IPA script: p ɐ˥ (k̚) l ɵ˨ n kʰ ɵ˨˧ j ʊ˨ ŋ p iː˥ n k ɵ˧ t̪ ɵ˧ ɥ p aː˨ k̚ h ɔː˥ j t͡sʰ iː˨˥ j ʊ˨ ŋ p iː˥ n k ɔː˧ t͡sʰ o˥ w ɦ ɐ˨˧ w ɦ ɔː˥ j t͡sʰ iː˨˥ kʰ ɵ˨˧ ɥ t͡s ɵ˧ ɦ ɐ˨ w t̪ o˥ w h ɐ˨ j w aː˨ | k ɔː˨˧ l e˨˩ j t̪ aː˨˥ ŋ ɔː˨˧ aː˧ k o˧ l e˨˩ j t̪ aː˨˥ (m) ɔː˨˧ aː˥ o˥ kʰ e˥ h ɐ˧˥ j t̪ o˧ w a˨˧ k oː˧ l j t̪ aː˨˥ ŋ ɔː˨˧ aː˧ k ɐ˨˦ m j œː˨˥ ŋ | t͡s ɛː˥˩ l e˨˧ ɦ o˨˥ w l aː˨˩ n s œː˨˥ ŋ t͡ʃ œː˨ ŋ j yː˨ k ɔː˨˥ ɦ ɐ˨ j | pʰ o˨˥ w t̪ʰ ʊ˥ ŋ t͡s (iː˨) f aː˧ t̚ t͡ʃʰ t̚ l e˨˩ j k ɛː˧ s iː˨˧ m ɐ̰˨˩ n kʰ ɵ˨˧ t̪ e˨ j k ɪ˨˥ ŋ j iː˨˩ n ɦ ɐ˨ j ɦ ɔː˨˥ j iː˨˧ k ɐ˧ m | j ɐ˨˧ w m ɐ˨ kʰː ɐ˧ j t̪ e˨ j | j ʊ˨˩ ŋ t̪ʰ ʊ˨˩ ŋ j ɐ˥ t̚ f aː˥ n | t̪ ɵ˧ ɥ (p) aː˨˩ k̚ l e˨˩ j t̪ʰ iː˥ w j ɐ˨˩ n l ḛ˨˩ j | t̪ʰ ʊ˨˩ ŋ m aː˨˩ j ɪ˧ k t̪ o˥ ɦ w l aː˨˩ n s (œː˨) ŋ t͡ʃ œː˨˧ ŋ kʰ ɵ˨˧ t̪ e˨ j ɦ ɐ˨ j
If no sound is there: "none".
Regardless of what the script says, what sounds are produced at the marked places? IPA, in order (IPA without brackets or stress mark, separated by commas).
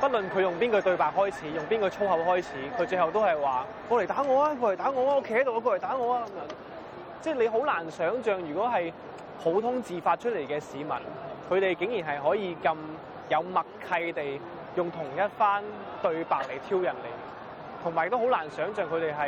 t̚, ŋ, iː˨, p, œː˨˥